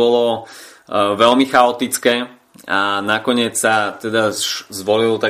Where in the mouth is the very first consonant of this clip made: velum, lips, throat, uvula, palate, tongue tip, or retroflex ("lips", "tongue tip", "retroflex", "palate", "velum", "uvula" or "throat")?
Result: tongue tip